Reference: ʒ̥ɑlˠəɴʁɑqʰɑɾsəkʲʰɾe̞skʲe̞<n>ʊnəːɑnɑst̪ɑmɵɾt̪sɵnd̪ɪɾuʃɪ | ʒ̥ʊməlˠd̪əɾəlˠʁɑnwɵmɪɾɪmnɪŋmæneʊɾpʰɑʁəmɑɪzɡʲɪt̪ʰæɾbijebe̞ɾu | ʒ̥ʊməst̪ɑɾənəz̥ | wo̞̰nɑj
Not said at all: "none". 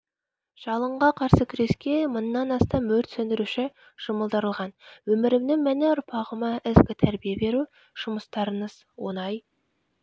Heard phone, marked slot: m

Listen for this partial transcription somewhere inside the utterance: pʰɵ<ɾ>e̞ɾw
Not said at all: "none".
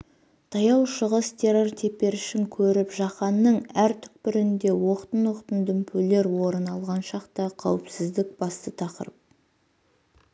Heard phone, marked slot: l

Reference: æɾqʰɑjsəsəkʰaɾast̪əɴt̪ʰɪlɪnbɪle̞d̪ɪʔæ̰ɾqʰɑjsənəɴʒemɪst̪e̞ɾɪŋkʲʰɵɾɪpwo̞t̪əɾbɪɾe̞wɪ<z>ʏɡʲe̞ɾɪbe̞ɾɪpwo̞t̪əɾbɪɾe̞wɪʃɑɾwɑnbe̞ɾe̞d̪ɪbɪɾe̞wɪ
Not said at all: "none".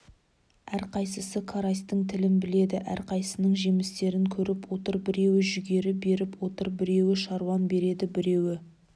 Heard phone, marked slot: ʒ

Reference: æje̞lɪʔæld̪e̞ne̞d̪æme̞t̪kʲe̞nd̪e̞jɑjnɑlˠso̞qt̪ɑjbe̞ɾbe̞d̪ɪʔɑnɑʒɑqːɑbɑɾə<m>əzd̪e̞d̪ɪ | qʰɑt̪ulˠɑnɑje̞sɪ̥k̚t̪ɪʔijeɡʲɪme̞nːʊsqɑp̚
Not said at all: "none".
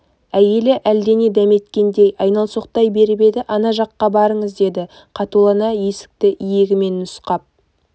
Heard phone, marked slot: ɴ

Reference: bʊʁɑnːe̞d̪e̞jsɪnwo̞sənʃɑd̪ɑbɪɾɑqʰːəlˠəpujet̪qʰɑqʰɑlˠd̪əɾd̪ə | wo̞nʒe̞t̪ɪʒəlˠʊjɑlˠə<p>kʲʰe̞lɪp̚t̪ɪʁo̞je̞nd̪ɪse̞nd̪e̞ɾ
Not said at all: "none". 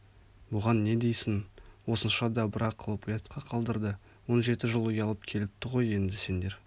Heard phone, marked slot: p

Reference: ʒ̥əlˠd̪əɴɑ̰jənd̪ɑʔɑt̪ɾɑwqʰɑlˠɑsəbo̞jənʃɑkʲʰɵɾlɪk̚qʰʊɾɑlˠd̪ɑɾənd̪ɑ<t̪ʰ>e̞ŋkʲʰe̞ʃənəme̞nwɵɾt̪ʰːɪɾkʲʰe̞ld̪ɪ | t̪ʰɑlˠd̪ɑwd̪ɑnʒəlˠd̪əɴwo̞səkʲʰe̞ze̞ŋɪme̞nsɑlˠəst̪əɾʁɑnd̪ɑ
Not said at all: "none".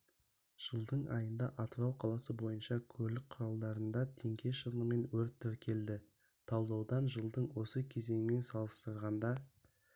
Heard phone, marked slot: t̪ʰ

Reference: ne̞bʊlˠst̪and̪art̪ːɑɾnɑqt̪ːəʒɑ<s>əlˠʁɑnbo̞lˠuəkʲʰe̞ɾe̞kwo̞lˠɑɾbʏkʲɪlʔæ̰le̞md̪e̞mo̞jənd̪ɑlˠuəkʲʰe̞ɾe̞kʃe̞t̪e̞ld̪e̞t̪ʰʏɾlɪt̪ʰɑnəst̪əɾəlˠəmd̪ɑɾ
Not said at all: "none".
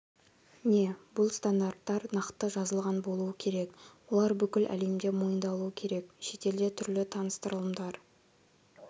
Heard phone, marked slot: z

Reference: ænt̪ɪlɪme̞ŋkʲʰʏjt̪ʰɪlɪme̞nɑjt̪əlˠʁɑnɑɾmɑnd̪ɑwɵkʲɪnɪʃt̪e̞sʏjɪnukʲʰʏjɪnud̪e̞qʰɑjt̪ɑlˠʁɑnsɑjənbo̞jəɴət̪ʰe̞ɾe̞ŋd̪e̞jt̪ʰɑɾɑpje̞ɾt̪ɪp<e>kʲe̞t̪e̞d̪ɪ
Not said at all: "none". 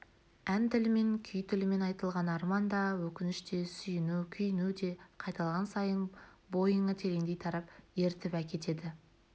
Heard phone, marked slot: æ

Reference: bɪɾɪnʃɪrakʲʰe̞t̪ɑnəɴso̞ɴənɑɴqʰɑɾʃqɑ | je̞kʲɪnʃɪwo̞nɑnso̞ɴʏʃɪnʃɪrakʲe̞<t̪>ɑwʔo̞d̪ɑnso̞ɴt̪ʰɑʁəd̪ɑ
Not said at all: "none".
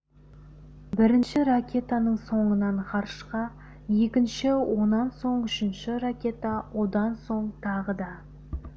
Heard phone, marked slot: t̪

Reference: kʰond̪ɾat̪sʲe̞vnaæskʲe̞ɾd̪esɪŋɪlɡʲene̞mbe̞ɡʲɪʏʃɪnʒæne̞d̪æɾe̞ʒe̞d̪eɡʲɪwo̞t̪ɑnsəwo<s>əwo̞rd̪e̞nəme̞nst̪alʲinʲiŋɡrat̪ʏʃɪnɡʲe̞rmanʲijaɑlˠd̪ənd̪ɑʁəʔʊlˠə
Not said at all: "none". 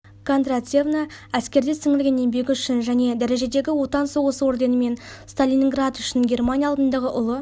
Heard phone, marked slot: s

